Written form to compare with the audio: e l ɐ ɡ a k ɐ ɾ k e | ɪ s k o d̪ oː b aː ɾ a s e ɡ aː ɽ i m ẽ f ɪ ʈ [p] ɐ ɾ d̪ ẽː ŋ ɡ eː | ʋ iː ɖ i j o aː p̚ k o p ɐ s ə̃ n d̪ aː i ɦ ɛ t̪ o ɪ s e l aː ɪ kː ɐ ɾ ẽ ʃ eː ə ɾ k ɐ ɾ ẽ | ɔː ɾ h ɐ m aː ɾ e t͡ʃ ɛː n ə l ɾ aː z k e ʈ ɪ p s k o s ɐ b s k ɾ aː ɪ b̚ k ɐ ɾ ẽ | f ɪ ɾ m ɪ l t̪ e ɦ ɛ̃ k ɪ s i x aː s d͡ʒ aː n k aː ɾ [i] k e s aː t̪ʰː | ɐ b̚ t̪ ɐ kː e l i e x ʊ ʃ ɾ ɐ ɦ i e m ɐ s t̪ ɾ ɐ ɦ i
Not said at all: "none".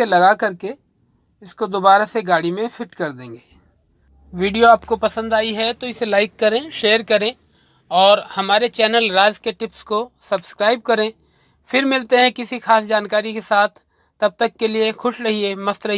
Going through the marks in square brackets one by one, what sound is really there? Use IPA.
k, i

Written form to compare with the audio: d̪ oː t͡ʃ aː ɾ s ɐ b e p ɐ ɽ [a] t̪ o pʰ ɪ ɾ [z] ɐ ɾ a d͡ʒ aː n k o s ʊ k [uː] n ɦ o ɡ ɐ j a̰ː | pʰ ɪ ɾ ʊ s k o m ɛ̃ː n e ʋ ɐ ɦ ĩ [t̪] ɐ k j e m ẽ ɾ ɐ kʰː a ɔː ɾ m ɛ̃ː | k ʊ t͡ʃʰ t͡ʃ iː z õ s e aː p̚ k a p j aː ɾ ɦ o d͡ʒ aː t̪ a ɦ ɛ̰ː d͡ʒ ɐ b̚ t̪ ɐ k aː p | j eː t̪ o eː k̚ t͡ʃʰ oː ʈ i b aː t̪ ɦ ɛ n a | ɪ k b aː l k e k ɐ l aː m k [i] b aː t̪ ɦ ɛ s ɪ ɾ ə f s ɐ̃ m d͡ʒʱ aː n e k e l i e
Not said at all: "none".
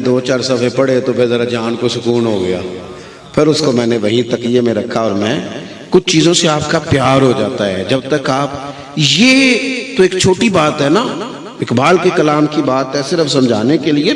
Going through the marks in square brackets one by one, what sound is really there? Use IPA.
e, z, uː, t̪, i

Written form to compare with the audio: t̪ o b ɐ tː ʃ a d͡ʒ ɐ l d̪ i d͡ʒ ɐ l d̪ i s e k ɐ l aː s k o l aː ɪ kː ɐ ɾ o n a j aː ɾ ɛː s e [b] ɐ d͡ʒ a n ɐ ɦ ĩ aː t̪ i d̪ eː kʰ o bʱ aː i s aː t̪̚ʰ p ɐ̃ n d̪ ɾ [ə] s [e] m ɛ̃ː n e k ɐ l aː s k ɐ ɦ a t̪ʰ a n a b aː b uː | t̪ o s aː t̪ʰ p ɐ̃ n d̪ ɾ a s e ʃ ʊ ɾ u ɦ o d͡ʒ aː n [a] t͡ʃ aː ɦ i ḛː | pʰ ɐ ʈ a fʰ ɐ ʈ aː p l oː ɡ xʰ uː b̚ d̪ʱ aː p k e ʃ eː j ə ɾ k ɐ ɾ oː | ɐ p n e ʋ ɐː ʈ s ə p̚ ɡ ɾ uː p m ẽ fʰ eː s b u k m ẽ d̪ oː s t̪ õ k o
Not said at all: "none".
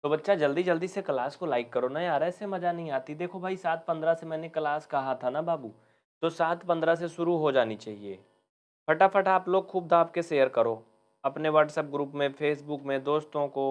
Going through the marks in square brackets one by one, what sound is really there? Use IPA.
m, a, e, i

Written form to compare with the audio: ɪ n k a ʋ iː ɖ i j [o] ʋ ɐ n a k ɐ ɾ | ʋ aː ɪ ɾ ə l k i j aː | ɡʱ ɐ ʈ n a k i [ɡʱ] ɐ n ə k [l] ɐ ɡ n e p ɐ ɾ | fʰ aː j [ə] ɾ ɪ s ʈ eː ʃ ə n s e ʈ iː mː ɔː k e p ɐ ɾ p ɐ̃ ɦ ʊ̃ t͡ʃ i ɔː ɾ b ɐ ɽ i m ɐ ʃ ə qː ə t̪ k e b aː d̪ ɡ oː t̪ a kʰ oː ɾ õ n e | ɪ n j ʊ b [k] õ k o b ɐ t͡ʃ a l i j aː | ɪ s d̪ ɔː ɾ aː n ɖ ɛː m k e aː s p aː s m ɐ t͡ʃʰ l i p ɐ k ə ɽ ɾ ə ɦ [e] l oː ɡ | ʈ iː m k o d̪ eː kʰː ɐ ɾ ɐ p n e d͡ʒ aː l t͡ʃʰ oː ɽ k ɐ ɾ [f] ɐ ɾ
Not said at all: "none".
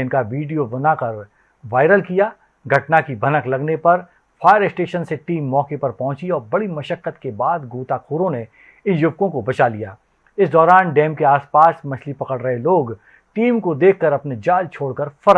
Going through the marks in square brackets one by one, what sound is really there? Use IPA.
o, bʱ, l, ə, k, e, f

